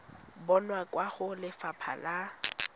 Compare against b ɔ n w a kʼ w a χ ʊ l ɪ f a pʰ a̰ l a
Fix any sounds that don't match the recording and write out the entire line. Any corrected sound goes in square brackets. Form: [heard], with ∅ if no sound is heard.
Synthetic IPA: b ɔ n w a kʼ w a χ ʊ l ɪ f a pʰ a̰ l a